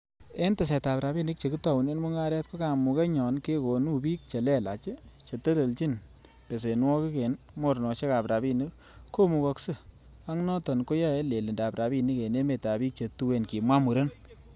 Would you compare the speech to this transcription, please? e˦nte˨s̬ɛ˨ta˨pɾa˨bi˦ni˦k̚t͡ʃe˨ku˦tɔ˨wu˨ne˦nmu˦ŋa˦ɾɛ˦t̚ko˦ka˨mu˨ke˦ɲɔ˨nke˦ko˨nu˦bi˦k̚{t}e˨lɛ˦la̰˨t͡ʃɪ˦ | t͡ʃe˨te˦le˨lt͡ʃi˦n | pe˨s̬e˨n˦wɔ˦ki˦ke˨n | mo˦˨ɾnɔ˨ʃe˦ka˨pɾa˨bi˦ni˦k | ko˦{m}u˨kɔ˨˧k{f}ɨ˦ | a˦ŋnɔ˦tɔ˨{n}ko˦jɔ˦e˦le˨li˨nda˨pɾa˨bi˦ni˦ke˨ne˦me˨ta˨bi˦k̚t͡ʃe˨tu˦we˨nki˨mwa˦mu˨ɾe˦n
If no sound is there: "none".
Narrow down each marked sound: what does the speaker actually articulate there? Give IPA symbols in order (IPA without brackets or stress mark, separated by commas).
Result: t͡ʃ, m, s, n